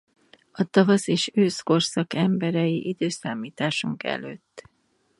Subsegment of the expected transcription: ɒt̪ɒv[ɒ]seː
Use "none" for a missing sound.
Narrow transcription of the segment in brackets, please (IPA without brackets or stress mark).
ɒ